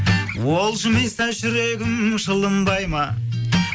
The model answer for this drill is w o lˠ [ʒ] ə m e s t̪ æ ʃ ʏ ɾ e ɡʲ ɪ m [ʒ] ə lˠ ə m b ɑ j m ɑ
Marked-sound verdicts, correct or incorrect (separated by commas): incorrect, incorrect